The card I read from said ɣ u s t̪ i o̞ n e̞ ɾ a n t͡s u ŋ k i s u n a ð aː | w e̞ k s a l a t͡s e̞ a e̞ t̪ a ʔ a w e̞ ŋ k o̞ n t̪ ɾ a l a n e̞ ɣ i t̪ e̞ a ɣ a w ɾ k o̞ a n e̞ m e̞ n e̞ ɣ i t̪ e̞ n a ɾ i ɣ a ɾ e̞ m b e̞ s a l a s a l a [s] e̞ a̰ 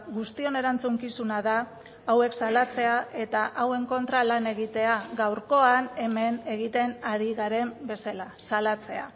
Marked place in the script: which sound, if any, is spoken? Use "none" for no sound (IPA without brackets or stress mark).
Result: t͡s